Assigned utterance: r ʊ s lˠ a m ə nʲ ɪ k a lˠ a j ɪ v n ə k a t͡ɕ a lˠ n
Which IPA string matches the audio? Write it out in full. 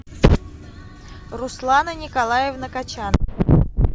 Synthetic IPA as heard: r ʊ s lˠ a n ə nʲ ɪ k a lˠ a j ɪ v n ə k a t͡ɕ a n